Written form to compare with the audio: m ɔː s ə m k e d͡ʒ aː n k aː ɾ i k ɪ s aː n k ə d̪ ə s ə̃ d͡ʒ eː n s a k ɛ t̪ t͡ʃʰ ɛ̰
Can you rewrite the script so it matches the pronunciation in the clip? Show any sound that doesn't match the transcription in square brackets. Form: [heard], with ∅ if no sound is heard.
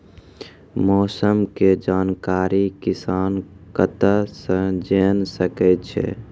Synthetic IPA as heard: m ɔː s ə m k e d͡ʒ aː n k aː ɾ i k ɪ s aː n k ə [t̪] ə s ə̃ d͡ʒ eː n s [ə] k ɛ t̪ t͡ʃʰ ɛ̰